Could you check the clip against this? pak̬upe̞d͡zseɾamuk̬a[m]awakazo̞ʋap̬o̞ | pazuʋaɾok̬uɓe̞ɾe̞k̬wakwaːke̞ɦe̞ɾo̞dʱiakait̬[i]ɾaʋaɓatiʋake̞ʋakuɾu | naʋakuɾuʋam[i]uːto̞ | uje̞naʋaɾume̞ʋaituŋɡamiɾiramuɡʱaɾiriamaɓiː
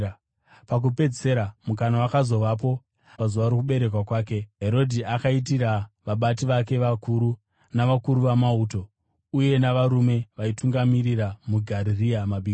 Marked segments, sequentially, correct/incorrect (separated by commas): incorrect, correct, incorrect